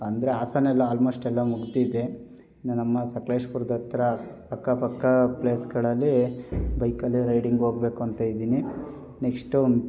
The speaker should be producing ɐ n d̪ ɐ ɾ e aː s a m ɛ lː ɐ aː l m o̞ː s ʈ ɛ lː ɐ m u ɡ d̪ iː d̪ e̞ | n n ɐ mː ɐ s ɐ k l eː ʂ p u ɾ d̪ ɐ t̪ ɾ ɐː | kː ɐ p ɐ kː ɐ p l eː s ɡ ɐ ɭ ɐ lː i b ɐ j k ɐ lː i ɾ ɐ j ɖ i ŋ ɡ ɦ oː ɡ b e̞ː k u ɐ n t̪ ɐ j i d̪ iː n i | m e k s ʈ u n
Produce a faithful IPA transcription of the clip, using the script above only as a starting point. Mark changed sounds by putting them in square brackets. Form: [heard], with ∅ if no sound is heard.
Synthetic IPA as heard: ɐ n d̪ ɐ ɾ e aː s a [n] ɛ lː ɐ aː l m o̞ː s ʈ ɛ lː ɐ m u ɡ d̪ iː d̪ e̞ | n n ɐ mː ɐ s ɐ k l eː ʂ p u ɾ d̪ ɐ t̪ ɾ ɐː | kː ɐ p ɐ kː ɐ p l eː s ɡ ɐ ɭ ɐ lː i b ɐ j k ɐ lː i ɾ ɐ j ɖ i ŋ ɡ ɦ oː ɡ b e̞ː k u ɐ n t̪ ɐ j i d̪ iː n i | [n] e k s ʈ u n